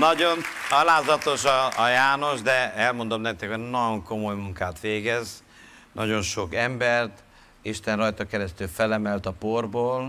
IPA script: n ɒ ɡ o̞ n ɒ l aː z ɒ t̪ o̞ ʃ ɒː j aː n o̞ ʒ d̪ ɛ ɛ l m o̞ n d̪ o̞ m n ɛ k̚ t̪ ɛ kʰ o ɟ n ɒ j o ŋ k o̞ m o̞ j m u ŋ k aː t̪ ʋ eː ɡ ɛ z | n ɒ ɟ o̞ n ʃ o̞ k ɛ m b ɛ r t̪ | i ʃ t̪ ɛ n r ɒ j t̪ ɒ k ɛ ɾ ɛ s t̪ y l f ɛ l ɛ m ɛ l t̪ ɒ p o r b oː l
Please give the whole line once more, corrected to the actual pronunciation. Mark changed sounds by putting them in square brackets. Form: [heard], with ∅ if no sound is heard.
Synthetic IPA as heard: n ɒ [ɟ] o̞ n ɒ l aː z ɒ t̪ o̞ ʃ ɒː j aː n o̞ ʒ d̪ ɛ ɛ l m o̞ n d̪ o̞ m n ɛ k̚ t̪ ɛ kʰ o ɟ n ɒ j o ŋ k o̞ m o̞ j m u ŋ k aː t̪ ʋ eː ɡ ɛ z | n ɒ ɟ o̞ n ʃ o̞ k ɛ m b ɛ r t̪ | i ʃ t̪ ɛ n r ɒ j t̪ ɒ k ɛ ɾ ɛ s t̪ y l f ɛ l ɛ m ɛ l t̪ ɒ p o r b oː l